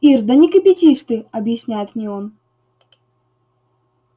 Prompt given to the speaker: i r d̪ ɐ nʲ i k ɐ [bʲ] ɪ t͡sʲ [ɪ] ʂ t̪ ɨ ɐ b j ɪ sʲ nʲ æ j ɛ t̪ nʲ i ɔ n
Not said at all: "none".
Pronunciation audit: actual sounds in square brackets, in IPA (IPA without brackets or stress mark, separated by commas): pʲ, i